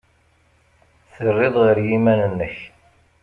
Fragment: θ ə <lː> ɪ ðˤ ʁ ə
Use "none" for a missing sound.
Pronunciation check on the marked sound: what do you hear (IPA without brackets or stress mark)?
rː